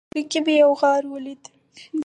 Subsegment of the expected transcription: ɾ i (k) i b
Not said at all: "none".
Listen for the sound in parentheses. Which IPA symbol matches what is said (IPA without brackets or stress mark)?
k